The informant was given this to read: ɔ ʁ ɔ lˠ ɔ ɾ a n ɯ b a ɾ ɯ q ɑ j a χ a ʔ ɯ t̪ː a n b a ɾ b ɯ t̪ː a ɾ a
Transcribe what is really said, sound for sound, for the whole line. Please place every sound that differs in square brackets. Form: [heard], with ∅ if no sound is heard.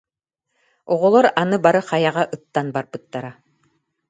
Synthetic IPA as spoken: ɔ ʁ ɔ lˠ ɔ ɾ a n ɯ b a ɾ ɯ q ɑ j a [ʁ] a ʔ ɯ t̪ː a n b a ɾ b ɯ t̪ː a ɾ a